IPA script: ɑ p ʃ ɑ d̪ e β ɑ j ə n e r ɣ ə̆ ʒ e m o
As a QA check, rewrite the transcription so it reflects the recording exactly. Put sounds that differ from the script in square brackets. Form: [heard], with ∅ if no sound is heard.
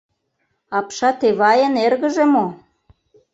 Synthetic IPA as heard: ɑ p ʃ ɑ [t̪] e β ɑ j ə n e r ɣ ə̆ ʒ e m o